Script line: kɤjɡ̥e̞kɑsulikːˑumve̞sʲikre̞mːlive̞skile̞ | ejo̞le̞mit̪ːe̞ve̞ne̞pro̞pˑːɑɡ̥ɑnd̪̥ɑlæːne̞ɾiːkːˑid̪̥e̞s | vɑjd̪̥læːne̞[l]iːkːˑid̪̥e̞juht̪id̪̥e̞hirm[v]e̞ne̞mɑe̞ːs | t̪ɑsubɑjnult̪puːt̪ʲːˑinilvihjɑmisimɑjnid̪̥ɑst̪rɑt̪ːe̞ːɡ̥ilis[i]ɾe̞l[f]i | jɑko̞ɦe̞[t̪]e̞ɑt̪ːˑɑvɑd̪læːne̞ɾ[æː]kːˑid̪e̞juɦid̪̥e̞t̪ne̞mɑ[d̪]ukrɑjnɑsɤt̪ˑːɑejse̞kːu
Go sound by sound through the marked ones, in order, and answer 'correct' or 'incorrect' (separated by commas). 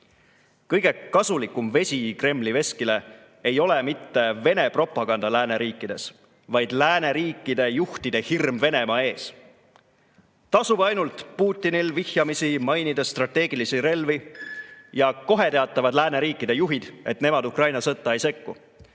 incorrect, correct, correct, incorrect, correct, incorrect, correct